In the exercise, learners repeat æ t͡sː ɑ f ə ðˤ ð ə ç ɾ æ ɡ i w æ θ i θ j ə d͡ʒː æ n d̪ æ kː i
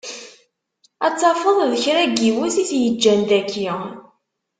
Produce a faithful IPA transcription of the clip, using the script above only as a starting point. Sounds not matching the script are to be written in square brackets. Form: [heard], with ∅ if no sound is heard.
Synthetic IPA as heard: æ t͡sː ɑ f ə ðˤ ð ə ç ɾ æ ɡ i w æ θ i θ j ə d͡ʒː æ n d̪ æ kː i